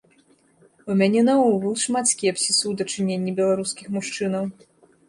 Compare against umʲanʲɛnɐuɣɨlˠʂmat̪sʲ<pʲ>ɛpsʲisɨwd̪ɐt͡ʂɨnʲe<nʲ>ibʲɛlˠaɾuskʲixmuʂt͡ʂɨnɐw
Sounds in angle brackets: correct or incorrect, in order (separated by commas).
incorrect, incorrect